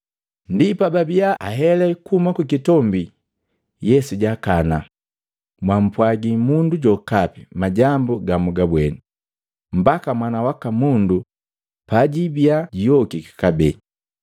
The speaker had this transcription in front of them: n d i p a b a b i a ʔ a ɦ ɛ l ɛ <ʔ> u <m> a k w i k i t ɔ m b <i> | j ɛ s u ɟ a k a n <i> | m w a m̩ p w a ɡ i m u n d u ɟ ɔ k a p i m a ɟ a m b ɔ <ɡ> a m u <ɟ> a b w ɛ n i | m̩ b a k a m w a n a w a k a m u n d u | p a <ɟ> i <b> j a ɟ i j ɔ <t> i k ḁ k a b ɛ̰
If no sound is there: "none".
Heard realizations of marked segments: k, m, i, a, ɡ, ɡ, ɟ, b, k

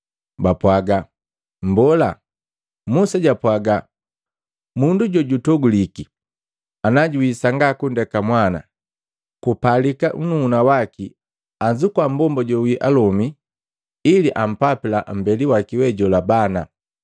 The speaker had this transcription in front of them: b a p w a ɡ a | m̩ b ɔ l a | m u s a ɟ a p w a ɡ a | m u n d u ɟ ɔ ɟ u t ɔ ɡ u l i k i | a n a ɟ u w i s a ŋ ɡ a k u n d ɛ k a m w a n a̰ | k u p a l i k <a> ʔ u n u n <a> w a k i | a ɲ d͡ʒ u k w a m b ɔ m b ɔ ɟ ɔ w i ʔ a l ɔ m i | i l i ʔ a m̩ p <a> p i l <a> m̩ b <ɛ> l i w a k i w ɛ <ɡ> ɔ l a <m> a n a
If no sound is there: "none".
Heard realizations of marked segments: a, a, a, a, ɛ, ɟ, b

